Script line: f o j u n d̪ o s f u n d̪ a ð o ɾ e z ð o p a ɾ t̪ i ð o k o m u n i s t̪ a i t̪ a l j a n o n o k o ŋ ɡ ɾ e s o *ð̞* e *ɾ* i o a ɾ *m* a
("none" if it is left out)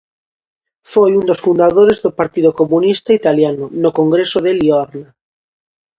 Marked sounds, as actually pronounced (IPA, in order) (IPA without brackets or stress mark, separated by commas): ð̞, l, n